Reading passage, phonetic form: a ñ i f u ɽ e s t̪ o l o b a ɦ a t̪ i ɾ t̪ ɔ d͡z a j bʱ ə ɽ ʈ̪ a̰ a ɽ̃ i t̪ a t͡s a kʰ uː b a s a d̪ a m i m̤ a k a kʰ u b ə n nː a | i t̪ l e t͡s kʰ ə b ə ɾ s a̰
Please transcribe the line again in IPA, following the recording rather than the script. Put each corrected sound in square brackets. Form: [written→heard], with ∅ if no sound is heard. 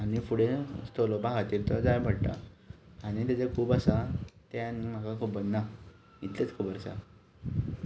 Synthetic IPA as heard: a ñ i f u ɽ e s t̪ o l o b a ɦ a t̪ i ɾ t̪ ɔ d͡z a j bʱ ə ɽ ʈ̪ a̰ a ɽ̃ i t̪ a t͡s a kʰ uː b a s a [d̪→t̪] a [m→n] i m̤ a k a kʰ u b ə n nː a | i t̪ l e t͡s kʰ ə b ə ɾ s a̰